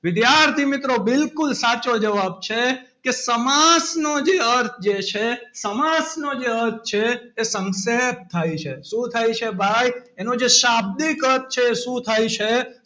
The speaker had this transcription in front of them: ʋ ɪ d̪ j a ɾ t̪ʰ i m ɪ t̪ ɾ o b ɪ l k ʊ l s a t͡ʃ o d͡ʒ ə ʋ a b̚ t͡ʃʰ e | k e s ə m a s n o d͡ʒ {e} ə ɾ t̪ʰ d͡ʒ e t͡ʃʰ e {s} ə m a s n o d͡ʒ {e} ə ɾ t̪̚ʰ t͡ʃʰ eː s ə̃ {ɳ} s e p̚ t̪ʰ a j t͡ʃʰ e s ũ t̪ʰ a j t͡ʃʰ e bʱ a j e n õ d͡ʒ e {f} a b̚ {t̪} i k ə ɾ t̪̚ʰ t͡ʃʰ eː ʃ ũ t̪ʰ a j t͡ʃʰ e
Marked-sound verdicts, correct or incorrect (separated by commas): correct, correct, correct, incorrect, incorrect, incorrect